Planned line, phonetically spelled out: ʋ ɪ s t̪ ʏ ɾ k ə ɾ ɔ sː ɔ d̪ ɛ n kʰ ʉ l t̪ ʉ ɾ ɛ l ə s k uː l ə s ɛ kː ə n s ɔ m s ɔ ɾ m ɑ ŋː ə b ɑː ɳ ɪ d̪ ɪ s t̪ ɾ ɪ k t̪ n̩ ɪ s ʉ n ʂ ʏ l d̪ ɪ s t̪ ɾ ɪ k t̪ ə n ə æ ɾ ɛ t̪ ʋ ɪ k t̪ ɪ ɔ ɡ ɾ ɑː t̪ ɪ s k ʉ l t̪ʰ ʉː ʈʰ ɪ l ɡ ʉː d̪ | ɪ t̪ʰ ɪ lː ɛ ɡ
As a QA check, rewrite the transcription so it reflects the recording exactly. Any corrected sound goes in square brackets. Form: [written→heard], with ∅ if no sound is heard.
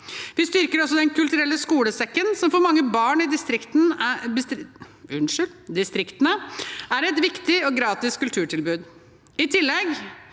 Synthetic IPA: ʋ ɪ s t̪ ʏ ɾ k ə ɾ ɔ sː ɔ d̪ ɛ n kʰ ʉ l t̪ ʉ ɾ ɛ [l→lː] ə s k uː l ə s ɛ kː ə n s ɔ m [s→f] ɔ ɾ m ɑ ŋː ə b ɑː ɳ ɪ d̪ ɪ s t̪ ɾ ɪ k t̪ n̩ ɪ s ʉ n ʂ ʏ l d̪ ɪ s t̪ ɾ ɪ k t̪ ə n ə æ ɾ ɛ t̪ ʋ ɪ k t̪ ɪ ɔ ɡ ɾ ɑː t̪ ɪ s k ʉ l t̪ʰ ʉː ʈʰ ɪ l [ɡ→b] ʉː d̪ | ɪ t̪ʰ ɪ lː ɛ ɡ